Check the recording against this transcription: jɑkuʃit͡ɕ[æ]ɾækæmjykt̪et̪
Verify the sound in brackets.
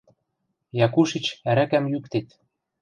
correct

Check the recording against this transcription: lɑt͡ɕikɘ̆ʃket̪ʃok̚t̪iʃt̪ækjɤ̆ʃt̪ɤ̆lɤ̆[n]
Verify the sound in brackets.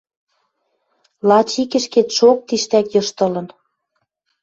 correct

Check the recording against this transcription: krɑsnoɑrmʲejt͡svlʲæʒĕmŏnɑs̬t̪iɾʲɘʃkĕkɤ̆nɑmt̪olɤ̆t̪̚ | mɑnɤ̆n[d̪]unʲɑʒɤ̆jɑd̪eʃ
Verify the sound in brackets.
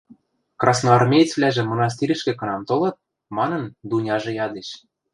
correct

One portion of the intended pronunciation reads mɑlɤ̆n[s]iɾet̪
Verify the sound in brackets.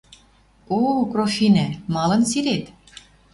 correct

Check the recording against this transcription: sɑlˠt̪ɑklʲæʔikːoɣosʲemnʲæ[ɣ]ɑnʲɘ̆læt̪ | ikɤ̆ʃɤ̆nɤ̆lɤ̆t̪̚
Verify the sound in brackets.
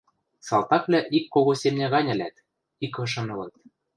correct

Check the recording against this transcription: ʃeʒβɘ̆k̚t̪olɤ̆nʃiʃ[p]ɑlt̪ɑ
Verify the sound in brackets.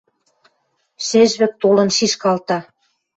incorrect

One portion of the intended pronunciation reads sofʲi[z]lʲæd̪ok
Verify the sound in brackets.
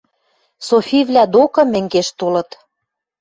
incorrect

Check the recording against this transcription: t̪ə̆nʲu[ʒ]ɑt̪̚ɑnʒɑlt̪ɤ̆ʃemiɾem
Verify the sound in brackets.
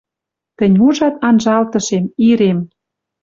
correct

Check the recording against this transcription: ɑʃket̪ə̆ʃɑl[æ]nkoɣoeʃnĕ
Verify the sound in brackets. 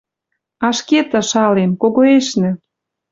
incorrect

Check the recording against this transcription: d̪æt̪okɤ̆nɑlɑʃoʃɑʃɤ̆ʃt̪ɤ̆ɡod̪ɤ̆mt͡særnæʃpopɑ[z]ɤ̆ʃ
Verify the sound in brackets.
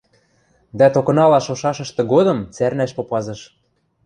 correct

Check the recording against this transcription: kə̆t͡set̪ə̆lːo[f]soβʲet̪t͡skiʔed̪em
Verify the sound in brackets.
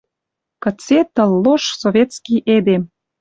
incorrect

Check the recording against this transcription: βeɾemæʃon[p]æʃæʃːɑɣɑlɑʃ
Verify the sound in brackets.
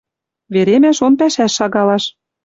correct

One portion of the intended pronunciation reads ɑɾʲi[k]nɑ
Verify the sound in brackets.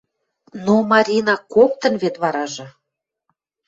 incorrect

